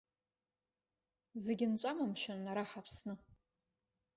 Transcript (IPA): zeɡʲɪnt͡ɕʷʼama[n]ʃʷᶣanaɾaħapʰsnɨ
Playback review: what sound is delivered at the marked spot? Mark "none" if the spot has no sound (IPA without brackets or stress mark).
m